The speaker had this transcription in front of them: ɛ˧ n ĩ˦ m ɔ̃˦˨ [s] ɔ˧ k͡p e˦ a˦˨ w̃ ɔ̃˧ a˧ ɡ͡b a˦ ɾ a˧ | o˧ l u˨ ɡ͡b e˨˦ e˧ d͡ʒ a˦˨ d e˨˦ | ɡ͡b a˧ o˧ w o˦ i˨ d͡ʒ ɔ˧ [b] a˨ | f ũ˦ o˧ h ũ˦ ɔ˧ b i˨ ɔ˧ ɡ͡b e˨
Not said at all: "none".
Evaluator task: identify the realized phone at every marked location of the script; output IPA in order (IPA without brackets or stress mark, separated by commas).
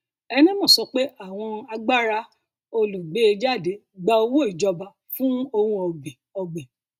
s, b